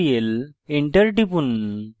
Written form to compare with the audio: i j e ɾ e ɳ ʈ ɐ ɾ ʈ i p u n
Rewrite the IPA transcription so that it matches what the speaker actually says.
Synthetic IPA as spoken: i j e l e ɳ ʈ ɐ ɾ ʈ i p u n